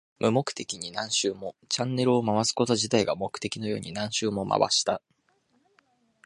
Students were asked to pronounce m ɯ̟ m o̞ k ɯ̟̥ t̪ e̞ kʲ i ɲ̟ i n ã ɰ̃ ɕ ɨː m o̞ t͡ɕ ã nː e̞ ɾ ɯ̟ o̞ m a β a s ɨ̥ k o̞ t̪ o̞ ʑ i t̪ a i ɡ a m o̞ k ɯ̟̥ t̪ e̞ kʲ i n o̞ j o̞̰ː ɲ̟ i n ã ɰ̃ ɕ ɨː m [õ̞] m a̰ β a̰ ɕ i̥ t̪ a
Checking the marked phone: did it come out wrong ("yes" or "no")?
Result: yes